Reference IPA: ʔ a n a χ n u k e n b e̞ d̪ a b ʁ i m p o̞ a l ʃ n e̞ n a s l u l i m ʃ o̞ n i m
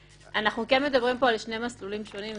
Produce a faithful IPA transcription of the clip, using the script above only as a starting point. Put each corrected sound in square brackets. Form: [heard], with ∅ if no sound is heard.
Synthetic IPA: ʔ a n a χ n u k e n [m] e̞ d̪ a b ʁ i m p o̞ a l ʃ n e̞ [m] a s l u l i m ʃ o̞ n i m